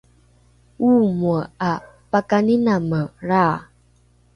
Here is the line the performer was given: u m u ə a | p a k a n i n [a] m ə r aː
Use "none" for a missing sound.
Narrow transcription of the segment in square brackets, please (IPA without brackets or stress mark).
a